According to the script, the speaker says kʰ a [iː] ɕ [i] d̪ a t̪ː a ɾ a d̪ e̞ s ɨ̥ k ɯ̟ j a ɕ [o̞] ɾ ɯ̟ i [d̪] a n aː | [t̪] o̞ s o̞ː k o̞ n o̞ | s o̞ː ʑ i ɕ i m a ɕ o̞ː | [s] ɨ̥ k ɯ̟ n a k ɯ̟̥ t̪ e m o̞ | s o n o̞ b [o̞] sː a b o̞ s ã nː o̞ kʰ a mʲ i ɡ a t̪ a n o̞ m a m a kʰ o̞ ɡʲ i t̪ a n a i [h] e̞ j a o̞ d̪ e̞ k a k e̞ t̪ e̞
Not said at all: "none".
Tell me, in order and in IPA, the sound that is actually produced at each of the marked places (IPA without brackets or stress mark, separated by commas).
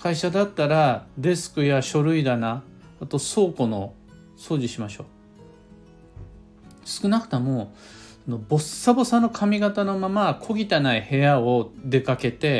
i, a, o̞, d̪, t̪, s, o̞, h